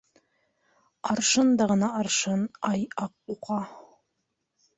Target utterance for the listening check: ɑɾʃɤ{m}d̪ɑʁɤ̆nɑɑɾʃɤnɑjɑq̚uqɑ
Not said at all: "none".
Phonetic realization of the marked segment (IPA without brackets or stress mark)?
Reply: n